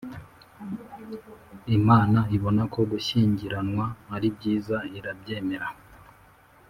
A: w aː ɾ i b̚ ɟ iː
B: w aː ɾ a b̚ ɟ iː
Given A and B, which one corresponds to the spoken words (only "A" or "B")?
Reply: A